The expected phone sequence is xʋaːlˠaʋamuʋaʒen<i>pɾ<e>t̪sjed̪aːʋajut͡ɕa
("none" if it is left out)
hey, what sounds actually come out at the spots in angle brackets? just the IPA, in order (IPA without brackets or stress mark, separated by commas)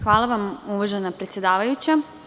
a, e